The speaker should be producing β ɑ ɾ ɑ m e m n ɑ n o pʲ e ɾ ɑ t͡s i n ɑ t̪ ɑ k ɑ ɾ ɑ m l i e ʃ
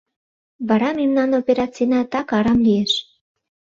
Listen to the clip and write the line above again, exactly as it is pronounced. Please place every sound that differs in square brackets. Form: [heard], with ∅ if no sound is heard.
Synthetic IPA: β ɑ ɾ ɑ m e m n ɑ n o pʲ e ɾ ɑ t͡s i n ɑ t̪ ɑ k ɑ ɾ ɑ m l i e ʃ

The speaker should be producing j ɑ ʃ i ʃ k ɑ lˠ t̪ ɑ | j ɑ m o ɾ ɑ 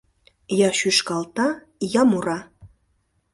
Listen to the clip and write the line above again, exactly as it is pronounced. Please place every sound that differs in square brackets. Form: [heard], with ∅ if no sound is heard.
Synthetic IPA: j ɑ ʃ [y] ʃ k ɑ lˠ t̪ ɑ | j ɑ m [u] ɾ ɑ

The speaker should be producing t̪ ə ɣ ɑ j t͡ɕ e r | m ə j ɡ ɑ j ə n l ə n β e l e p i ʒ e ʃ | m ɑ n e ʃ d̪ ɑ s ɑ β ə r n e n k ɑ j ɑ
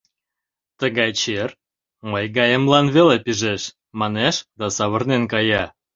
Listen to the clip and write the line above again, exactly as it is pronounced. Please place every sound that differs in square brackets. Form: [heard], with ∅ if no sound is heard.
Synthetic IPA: t̪ ə ɣ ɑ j t͡ɕ e r | m ə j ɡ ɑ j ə [m] l [ɑ] n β e l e p i ʒ e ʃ | m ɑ n e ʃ d̪ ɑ s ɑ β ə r n e n k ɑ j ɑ

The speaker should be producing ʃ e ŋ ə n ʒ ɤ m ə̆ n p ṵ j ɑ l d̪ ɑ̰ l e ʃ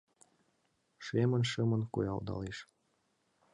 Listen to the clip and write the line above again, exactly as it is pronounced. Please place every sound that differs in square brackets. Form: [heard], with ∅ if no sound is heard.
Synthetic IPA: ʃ e [m] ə n [ʃ] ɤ m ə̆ n [k] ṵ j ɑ l d̪ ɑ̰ l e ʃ

